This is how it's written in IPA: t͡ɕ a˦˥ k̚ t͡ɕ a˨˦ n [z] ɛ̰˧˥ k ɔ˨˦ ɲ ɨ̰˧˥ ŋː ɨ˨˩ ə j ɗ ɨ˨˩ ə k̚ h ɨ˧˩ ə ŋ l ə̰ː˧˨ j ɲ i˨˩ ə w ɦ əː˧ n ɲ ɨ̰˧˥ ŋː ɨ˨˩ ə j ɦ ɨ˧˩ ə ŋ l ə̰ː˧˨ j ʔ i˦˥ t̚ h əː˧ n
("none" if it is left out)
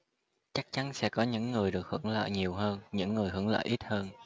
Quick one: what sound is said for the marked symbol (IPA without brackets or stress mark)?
s